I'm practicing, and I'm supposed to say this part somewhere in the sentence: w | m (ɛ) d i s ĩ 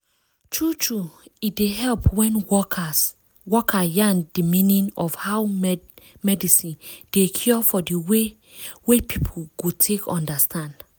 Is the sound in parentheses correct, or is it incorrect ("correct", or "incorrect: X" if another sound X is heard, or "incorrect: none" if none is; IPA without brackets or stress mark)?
correct